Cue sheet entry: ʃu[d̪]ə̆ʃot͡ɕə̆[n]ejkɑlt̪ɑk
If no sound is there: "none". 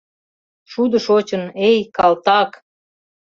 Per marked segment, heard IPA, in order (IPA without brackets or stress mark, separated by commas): d̪, n